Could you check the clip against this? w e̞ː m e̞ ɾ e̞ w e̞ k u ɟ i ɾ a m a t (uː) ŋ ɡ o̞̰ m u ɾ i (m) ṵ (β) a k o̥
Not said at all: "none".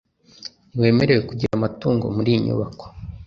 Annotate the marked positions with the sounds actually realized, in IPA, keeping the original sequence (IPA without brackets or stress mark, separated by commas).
uː, ɲ, β